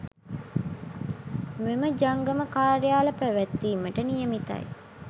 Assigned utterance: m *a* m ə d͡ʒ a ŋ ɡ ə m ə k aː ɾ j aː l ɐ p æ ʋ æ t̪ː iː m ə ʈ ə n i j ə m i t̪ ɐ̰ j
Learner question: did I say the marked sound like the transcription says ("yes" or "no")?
no